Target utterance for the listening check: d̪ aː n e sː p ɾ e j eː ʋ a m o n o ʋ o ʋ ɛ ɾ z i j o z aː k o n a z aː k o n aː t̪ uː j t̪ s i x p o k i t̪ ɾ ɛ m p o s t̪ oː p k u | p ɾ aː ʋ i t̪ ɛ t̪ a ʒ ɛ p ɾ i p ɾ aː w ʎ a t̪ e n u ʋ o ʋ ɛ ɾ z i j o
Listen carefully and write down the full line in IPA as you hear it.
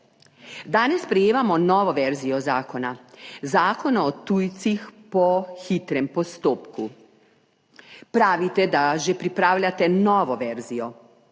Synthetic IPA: d̪ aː n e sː p ɾ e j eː ʋ a m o n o ʋ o ʋ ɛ ɾ z i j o z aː k o n a z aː k o n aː t̪ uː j t̪ s i x p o x i t̪ ɾ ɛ m p o s t̪ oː p k u | p ɾ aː ʋ i t̪ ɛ d̪ a ʒ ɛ p ɾ i p ɾ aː w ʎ a t̪ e n o ʋ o ʋ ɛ ɾ z i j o